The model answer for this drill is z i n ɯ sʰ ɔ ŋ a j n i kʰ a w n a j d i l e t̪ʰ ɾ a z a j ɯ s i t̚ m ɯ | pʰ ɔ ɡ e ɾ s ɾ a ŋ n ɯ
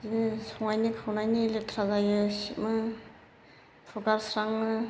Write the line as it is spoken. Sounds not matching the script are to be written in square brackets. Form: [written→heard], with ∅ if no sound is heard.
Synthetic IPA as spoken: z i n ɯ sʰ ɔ ŋ a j n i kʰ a w n a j [d→n] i l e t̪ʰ ɾ a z a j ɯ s i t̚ m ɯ | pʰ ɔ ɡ [e→a] ɾ s ɾ a ŋ n ɯ